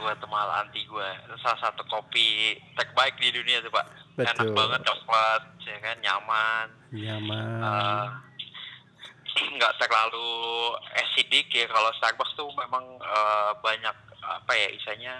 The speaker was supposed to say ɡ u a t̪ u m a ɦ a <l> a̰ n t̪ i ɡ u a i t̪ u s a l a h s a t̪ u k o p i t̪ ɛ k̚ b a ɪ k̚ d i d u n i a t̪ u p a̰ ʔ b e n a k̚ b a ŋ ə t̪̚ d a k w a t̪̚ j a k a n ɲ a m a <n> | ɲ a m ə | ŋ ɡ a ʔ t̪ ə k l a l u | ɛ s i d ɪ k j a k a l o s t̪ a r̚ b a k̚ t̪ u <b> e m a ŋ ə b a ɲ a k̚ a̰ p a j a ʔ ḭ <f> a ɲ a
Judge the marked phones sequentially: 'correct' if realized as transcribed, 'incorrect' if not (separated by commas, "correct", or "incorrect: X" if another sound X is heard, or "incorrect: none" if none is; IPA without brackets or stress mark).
correct, correct, incorrect: m, incorrect: s